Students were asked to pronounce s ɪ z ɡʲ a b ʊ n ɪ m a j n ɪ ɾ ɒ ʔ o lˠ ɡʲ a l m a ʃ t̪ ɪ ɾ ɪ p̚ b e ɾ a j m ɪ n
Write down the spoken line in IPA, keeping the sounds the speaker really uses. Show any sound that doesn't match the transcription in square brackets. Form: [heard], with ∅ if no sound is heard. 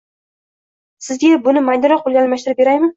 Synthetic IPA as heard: s ɪ z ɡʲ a b ʊ n ɪ m a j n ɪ ɾ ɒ [q] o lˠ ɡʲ a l m a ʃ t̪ ɪ ɾ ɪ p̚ b e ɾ a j m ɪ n

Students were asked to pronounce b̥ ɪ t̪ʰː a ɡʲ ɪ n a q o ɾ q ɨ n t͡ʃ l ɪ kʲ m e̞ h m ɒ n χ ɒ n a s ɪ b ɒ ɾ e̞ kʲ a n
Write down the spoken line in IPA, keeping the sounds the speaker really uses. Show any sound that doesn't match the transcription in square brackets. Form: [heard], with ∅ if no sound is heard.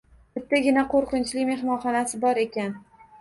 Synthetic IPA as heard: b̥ ɪ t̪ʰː a ɡʲ ɪ n a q o ɾ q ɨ n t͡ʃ l ɪ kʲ m e̞ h m ɒ n χ ɒ n a s ɪ b ɒ ɾ e̞ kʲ a n

